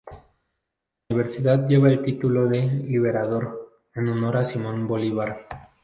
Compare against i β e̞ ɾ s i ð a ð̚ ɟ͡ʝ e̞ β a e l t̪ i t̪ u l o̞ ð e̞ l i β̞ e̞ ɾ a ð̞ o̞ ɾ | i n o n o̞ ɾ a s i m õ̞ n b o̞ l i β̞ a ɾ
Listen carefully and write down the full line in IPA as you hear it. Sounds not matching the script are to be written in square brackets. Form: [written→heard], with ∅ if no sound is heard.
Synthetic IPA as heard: i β e̞ ɾ s i ð a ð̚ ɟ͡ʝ e̞ β a e l t̪ i t̪ u l o̞ ð e̞ l i β̞ e̞ ɾ a ð̞ o̞ ɾ | [i→e] n o n o̞ ɾ a s i m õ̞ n b o̞ l i β̞ a ɾ